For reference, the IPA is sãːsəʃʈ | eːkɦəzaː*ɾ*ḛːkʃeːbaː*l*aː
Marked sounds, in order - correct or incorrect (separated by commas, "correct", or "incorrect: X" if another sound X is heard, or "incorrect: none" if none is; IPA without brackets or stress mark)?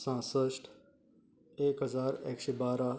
correct, incorrect: ɾ